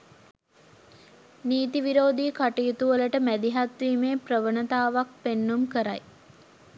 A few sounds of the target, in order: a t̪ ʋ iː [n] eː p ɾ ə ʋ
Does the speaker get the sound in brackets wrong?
yes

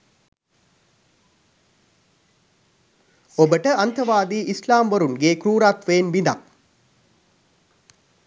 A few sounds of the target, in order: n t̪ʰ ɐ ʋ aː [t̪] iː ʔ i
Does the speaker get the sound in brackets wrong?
yes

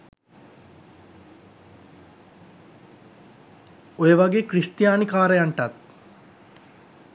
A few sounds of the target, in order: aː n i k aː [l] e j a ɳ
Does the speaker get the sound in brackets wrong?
yes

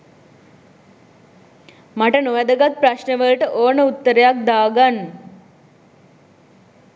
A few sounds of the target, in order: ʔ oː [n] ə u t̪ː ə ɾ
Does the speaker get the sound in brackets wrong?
no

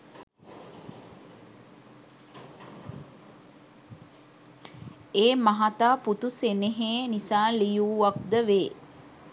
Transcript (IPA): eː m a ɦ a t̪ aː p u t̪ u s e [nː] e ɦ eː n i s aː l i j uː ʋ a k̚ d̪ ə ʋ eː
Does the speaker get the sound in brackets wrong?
yes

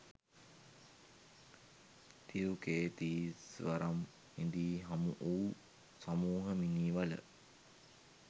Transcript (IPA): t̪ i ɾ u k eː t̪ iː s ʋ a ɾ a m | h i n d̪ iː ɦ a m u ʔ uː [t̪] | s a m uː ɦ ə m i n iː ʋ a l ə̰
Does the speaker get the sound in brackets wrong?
yes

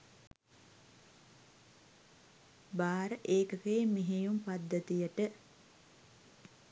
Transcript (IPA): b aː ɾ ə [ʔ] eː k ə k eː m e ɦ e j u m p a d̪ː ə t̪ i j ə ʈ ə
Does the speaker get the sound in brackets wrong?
no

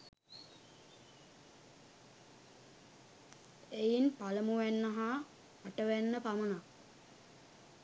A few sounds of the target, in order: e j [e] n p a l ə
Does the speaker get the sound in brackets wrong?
yes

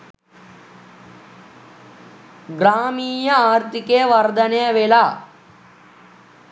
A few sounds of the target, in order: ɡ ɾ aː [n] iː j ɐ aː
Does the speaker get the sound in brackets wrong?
yes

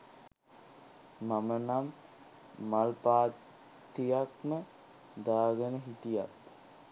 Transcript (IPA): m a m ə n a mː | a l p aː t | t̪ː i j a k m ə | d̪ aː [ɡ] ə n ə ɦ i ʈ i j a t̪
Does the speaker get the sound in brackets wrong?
no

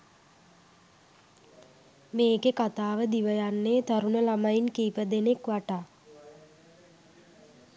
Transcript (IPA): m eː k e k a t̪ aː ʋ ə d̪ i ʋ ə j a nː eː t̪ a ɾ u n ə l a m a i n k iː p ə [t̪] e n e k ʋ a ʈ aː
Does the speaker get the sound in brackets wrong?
yes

